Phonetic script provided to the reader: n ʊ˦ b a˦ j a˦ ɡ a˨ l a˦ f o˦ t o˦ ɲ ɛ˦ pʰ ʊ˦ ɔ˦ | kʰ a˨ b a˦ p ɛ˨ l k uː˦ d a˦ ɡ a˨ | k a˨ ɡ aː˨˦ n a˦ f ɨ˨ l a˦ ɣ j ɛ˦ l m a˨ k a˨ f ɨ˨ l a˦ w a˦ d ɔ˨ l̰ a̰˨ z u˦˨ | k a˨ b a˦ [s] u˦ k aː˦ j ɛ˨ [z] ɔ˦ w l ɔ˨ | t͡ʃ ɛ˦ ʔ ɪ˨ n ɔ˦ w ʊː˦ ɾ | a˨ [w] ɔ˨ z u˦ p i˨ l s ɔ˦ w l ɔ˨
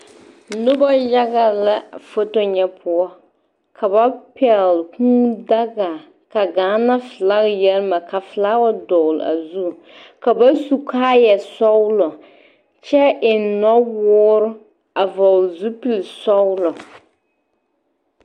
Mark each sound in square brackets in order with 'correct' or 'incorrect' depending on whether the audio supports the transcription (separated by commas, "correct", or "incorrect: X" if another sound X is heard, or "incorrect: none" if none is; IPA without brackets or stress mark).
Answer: correct, incorrect: s, incorrect: v